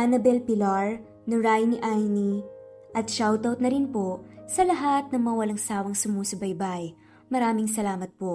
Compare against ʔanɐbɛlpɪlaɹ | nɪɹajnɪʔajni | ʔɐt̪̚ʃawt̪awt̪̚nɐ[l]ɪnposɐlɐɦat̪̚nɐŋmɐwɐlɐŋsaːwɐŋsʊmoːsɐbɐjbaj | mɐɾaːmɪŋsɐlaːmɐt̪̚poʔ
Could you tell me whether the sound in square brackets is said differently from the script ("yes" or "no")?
yes